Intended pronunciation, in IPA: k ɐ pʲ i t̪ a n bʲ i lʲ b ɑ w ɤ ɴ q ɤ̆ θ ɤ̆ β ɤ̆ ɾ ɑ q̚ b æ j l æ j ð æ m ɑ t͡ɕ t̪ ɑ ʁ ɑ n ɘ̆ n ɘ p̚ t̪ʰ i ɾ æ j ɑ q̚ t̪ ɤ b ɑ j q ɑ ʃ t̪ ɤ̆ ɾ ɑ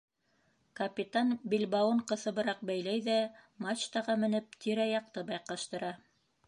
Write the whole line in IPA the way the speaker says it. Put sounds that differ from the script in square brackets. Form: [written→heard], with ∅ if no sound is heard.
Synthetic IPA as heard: k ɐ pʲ i t̪ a n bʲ i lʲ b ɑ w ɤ ɴ q ɤ̆ θ ɤ̆ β ɤ̆ ɾ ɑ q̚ b æ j l æ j ð æ m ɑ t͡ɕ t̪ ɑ ʁ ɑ [n→m] ɘ̆ n ɘ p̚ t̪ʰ i ɾ æ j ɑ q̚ t̪ ɤ b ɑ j q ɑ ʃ t̪ ɤ̆ ɾ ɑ